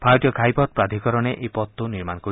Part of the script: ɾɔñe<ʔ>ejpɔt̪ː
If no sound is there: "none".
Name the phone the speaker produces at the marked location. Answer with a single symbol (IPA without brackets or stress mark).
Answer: ʔ